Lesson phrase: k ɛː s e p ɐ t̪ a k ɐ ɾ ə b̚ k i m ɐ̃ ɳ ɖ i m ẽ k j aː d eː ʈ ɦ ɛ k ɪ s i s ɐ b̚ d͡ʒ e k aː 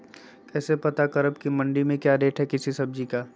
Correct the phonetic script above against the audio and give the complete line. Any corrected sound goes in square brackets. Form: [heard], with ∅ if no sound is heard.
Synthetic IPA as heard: k ɛː s e p ɐ t̪ a k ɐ ɾ ə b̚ k i m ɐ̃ ɳ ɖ i m ẽ k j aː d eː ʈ ɦ ɛ k ɪ s i s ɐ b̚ d͡ʒ [i] k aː